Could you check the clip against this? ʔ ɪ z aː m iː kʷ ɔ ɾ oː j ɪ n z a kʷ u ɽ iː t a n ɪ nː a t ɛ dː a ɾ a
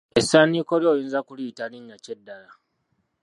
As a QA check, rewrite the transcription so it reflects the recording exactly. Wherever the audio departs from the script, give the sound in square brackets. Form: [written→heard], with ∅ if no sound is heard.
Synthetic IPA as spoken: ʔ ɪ [z→s] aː [m→n] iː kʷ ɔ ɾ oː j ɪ n z a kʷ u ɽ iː t a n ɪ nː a [t→t͡ʃ] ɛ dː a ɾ a

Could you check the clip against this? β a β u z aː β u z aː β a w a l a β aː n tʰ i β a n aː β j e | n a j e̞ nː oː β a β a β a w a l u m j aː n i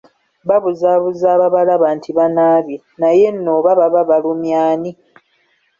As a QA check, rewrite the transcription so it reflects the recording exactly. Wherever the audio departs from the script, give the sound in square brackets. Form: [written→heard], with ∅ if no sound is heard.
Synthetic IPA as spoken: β a β u z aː β u z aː β a [w→β] a l a β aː n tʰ i β a n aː β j e | n a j e̞ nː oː β a β a β a [w→β] a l u m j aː n i

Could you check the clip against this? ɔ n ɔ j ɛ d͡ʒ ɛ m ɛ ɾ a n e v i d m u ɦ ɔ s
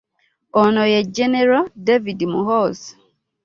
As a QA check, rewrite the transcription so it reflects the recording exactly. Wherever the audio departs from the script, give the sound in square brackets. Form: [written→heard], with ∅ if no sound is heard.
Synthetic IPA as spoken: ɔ n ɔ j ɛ d͡ʒ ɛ [m→n] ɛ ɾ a [n→d] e v i d m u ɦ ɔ s

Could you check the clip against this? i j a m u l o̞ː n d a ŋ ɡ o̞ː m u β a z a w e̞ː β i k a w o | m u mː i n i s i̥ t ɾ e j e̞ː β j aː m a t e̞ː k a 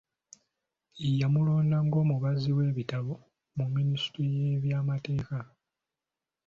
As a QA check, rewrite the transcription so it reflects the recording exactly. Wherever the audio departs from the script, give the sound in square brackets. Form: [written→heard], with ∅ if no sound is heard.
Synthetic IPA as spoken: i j a m u l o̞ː n d a ŋ ɡ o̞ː m u β a z [a→i] w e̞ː β i [k→t] a [w→β] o | m u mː i n i s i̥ t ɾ [e→i] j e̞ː β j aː m a t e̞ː k a

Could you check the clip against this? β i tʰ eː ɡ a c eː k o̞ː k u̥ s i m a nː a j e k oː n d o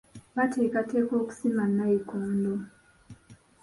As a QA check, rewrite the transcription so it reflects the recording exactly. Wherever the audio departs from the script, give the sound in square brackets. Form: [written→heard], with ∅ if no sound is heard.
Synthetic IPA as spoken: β [i→a] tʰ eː [ɡ→k] a [c→t] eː k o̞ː k u̥ s i m a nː a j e k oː n d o

